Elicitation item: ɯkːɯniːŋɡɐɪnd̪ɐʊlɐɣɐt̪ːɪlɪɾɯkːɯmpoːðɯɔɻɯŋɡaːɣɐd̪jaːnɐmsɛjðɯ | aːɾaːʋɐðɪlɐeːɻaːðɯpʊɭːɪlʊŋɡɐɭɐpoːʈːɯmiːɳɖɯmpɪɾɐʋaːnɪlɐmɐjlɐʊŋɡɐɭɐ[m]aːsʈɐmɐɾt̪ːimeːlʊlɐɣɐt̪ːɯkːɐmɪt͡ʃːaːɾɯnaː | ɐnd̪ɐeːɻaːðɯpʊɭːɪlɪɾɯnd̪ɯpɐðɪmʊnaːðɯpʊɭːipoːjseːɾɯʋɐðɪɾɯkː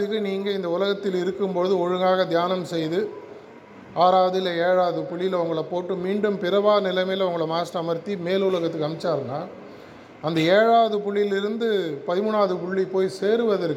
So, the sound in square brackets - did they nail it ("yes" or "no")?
yes